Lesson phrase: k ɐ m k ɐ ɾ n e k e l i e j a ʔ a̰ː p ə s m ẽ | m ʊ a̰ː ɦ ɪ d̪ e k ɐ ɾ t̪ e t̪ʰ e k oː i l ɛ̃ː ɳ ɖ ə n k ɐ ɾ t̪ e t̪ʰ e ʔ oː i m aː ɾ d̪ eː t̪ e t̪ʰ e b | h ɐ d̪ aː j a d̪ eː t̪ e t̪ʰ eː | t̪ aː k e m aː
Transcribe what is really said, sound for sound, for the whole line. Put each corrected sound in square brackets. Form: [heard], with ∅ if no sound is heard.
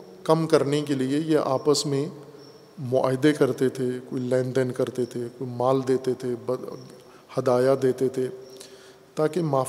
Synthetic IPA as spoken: k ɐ m k ɐ ɾ n e k e l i e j [e] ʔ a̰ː p ə s m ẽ | m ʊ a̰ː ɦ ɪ d̪ e k ɐ ɾ t̪ e t̪ʰ e k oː i l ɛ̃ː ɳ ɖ ə n k ɐ ɾ t̪ e t̪ʰ e [k] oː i m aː [l] d̪ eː t̪ e t̪ʰ e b | h ɐ d̪ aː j a d̪ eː t̪ e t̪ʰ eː | t̪ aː k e m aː